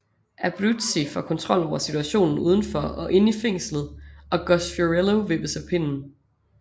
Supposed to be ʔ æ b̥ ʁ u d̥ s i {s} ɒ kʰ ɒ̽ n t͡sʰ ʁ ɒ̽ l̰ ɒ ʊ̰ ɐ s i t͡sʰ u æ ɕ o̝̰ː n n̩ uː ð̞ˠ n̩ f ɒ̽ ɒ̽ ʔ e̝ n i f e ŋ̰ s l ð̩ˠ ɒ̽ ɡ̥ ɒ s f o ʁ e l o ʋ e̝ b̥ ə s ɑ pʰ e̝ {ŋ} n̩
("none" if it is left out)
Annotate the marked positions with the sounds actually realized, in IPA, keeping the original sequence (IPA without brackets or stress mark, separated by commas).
f, n